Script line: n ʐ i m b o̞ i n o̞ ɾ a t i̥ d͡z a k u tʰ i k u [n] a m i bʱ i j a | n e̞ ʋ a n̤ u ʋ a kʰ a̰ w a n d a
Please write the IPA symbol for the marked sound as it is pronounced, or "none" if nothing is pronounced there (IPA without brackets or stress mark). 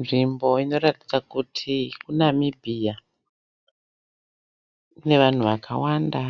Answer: n